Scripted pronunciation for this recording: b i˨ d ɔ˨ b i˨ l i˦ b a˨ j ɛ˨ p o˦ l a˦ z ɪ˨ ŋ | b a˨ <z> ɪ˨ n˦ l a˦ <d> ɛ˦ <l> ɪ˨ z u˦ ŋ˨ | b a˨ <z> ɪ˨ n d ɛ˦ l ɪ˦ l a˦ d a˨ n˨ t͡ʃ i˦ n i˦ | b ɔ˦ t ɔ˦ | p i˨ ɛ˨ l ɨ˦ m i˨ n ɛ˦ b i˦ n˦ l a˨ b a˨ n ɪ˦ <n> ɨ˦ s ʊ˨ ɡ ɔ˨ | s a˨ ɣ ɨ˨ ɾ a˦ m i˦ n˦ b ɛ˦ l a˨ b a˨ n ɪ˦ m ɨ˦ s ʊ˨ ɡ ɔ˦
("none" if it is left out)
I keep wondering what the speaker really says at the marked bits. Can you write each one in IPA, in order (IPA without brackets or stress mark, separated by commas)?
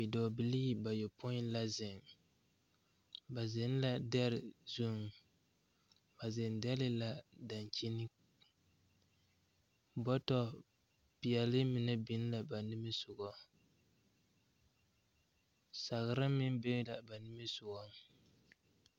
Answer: z, d, ɾ, z, m